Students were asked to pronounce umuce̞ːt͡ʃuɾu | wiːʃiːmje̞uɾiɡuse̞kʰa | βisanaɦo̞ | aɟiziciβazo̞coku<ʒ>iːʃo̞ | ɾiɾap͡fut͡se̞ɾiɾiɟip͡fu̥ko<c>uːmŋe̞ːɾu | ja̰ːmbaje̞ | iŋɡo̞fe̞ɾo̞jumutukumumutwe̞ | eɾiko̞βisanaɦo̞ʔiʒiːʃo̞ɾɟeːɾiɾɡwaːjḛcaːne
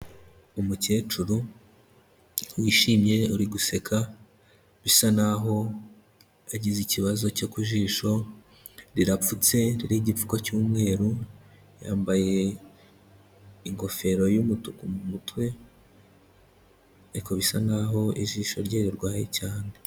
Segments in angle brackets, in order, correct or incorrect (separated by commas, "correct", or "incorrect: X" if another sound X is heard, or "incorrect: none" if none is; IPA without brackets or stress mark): correct, correct